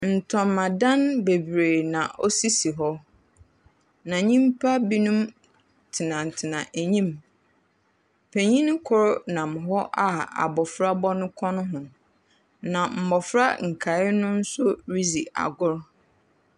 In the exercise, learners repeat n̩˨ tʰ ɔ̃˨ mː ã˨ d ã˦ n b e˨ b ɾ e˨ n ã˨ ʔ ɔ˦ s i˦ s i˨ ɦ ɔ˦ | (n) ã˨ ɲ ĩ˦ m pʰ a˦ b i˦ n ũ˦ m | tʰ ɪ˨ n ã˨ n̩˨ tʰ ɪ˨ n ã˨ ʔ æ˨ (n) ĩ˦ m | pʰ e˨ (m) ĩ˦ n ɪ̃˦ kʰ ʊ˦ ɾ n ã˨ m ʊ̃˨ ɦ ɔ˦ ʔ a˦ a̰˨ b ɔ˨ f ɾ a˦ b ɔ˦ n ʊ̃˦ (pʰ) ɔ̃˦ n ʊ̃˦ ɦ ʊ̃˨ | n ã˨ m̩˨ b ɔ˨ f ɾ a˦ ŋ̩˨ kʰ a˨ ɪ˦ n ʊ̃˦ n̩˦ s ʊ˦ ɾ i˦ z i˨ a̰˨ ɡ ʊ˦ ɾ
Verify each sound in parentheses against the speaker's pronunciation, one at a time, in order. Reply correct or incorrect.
correct, incorrect: ɲ, incorrect: ɲ, incorrect: kʰ

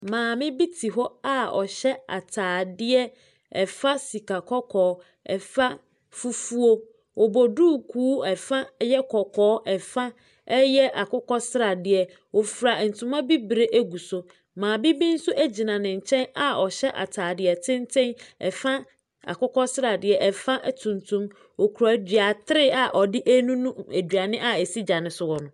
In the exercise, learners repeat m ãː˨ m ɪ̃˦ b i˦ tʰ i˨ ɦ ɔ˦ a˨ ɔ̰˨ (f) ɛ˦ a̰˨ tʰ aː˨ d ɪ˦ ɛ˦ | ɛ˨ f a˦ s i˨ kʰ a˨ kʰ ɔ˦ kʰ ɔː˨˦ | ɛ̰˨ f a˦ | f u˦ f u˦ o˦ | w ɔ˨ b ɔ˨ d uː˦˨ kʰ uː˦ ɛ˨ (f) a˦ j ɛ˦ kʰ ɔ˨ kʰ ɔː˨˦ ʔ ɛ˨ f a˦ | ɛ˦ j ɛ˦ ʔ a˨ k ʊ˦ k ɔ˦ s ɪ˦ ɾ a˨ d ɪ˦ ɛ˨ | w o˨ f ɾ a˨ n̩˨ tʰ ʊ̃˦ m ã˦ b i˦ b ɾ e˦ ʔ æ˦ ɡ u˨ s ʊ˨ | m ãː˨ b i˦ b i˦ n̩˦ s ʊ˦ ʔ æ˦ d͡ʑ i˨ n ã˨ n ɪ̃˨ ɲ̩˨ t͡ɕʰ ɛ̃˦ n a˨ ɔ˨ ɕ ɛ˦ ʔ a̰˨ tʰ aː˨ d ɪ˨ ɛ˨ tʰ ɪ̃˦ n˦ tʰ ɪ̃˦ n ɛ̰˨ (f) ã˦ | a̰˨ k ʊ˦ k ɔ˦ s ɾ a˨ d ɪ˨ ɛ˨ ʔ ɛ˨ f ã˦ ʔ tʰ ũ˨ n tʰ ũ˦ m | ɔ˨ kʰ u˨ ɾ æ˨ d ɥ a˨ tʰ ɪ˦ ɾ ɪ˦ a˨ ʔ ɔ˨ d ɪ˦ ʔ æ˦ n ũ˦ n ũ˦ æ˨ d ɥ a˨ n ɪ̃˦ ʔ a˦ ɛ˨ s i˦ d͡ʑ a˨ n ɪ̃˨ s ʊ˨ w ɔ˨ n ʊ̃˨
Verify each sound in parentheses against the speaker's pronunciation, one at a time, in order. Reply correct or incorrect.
incorrect: ɕ, correct, correct

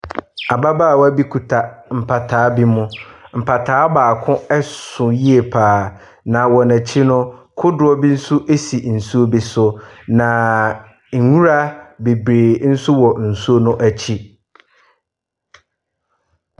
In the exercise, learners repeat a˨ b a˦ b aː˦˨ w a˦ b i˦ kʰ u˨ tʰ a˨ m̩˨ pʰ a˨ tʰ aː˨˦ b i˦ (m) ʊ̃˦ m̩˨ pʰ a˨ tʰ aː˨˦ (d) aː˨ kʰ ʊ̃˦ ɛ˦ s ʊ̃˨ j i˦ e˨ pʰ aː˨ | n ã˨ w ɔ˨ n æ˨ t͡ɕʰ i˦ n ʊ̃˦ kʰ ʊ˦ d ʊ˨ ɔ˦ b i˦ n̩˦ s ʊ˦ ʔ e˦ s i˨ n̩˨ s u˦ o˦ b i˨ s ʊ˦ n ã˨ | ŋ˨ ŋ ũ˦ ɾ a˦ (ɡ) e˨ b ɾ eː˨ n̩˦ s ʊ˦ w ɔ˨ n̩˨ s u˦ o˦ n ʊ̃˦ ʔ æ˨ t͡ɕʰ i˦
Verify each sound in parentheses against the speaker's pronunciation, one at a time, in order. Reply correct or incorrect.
correct, incorrect: b, incorrect: b

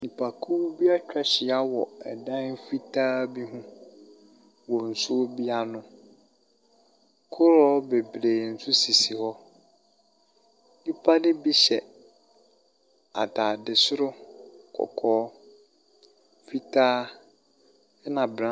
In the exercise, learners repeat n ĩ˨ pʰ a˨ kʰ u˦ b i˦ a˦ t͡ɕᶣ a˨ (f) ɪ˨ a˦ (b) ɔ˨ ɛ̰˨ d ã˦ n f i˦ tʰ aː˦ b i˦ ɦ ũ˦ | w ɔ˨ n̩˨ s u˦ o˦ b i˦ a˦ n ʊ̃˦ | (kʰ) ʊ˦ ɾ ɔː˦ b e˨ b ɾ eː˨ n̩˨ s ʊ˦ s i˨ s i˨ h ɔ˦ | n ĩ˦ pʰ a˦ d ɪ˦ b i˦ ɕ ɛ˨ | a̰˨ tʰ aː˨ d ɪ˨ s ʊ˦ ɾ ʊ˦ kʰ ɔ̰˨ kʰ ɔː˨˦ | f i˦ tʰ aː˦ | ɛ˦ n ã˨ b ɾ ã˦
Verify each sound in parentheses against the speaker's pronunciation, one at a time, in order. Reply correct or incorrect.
incorrect: ɕ, incorrect: w, correct

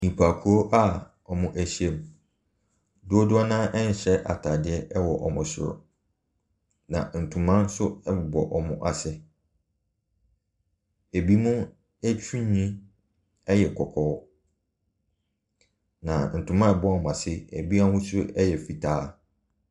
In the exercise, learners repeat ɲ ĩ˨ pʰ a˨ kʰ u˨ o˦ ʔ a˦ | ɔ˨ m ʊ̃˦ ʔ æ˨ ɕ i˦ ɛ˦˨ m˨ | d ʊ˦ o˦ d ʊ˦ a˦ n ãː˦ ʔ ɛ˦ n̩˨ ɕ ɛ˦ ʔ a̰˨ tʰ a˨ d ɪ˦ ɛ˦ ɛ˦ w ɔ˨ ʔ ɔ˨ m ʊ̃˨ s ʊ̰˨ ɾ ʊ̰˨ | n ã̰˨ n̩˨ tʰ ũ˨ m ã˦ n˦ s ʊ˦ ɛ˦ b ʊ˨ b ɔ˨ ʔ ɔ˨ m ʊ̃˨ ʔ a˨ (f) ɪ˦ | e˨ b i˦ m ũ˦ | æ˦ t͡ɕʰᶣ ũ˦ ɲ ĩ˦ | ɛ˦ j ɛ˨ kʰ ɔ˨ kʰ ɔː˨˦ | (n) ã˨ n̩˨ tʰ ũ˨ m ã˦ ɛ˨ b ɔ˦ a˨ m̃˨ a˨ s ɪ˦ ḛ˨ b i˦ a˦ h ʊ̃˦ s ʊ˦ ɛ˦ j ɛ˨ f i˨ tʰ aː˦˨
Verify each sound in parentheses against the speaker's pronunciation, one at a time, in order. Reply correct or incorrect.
incorrect: s, correct

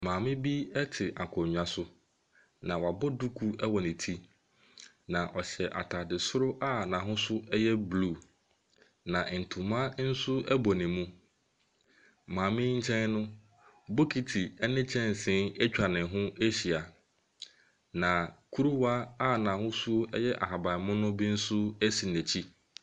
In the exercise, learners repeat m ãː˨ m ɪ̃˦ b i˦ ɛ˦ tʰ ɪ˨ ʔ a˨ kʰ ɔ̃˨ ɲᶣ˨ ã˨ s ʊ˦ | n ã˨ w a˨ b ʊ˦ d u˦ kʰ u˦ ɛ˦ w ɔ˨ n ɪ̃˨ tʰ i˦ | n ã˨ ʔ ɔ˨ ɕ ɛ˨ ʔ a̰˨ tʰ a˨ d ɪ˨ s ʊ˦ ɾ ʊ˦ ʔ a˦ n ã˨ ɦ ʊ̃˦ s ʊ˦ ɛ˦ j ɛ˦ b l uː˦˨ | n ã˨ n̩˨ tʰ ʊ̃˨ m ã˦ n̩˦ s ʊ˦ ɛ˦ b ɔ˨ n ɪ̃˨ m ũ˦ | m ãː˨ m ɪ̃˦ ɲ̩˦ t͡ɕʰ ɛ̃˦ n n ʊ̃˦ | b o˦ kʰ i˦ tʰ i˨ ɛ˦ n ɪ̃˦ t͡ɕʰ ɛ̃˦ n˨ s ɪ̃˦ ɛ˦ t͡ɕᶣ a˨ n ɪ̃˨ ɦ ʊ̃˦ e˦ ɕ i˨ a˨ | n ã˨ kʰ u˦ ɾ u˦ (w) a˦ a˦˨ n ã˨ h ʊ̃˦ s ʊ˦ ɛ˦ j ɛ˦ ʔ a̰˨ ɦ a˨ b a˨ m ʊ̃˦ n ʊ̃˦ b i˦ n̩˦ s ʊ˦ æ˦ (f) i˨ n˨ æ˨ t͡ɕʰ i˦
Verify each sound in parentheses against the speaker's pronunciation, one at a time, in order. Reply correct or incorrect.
correct, incorrect: s

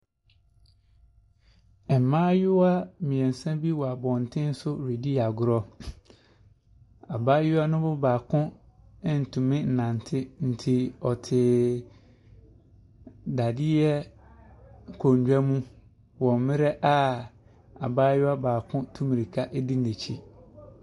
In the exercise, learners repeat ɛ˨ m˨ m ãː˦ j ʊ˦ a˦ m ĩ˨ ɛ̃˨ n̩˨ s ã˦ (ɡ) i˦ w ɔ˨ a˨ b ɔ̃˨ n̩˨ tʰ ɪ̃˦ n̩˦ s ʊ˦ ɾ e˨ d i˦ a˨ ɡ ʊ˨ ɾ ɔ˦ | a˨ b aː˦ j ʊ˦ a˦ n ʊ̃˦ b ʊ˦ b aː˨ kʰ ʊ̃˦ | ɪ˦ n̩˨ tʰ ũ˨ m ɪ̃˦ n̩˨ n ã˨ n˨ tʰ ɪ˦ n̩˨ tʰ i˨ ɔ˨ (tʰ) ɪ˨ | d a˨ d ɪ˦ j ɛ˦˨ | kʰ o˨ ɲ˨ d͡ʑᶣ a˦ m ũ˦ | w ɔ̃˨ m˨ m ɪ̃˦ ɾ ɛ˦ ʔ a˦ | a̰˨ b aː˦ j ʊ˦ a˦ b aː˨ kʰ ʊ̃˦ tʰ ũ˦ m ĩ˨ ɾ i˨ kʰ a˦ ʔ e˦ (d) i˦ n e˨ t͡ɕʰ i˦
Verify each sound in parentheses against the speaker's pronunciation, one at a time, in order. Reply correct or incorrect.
incorrect: b, correct, correct

